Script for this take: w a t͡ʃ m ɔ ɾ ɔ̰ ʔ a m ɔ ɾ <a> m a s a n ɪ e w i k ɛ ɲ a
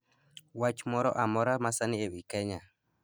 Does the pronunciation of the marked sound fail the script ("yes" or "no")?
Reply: no